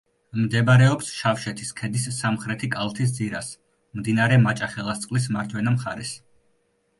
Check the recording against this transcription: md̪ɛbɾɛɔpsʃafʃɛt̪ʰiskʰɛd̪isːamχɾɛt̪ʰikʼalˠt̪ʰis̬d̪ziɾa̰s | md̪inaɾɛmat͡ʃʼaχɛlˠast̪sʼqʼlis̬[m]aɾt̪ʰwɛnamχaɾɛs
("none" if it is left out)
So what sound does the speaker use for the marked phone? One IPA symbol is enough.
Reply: m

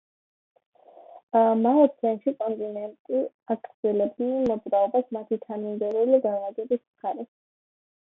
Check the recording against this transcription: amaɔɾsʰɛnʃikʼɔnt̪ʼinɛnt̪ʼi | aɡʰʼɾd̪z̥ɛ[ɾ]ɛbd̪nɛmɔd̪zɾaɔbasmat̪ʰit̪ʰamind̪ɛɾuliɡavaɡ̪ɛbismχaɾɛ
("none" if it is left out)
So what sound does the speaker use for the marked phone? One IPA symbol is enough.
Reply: l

